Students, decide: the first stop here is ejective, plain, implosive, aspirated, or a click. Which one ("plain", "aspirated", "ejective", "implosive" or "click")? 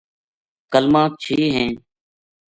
plain